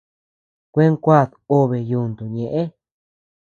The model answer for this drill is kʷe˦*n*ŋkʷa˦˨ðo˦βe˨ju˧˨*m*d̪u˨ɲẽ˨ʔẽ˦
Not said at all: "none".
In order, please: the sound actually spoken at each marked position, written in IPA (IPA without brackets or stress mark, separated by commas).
none, n